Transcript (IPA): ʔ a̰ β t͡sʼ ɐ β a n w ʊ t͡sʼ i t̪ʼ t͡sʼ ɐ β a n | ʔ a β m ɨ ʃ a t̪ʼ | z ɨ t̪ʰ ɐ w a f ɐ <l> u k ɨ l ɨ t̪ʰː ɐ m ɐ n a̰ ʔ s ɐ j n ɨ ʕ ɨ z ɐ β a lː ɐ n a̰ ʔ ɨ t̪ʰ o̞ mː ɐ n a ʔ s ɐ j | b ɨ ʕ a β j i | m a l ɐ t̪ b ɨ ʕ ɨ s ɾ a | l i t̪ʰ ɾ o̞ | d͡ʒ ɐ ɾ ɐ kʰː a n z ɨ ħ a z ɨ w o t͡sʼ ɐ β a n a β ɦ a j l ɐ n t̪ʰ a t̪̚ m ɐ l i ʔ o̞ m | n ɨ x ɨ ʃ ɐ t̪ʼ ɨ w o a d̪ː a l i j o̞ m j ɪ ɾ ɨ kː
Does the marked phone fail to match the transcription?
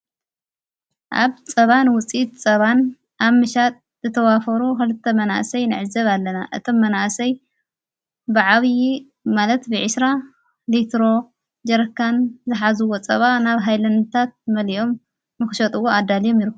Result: yes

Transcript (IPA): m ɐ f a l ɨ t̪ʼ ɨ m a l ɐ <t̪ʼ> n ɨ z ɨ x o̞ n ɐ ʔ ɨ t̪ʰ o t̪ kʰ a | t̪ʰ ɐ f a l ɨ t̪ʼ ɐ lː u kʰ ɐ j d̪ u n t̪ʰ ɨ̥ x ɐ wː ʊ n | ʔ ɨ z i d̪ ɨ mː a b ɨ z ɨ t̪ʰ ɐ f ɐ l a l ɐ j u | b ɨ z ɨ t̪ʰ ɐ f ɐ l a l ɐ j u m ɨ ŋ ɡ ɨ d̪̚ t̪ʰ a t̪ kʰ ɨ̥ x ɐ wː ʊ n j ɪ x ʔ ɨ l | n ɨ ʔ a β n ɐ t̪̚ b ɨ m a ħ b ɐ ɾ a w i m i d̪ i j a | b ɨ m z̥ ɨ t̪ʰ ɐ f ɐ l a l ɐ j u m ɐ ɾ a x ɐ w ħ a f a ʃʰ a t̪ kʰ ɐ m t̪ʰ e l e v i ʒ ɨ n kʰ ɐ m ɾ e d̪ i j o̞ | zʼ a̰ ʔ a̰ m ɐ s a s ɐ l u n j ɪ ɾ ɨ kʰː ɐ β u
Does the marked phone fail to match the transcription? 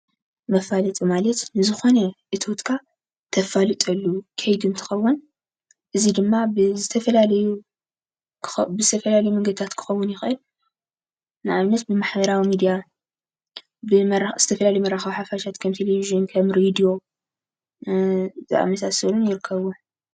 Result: yes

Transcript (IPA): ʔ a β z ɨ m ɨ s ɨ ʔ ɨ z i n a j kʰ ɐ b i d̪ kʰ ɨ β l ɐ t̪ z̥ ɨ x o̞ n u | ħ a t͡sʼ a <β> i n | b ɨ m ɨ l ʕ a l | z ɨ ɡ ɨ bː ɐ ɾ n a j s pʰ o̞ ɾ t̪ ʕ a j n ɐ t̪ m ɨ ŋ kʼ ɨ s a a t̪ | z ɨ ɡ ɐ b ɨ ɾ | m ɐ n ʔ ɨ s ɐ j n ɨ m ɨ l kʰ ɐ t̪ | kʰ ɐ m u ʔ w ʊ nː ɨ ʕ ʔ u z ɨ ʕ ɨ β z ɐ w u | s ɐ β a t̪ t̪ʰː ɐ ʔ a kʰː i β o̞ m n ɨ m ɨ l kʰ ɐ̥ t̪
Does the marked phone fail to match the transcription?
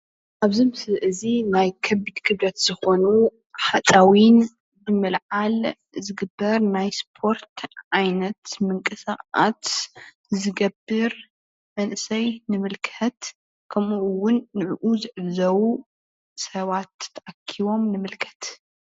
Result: yes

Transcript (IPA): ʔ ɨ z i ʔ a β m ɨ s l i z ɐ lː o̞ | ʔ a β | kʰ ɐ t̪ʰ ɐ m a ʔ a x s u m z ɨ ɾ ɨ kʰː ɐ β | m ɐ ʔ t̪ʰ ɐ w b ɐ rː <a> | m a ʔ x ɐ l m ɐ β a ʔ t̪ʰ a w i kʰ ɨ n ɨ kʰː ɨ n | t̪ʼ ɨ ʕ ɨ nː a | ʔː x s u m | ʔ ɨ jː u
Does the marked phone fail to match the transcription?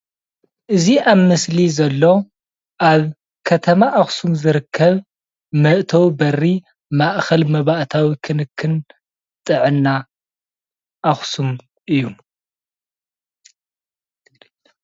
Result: yes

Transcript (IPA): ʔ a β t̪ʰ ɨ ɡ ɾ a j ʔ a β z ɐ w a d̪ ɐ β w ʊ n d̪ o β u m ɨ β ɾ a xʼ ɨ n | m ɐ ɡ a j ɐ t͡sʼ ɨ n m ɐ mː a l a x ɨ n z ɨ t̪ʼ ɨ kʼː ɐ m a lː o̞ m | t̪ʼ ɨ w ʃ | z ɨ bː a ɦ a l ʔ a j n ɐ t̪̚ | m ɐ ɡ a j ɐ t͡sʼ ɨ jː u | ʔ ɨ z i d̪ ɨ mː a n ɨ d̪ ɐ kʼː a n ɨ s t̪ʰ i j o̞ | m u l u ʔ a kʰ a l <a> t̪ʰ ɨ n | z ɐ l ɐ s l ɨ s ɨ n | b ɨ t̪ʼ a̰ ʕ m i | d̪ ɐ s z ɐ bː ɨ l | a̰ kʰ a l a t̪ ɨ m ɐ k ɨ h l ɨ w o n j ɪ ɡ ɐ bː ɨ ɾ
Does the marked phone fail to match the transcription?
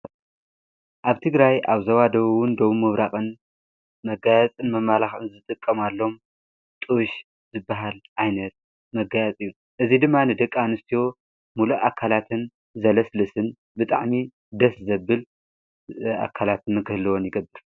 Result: no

